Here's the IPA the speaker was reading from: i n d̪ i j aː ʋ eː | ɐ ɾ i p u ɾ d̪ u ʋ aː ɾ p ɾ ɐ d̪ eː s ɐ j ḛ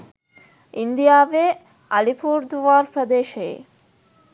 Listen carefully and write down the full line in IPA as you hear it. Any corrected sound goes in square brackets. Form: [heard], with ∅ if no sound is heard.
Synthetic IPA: i n d̪ i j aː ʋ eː | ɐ [l] i p [uː] ɾ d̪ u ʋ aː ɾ p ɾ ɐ d̪ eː [ʃ] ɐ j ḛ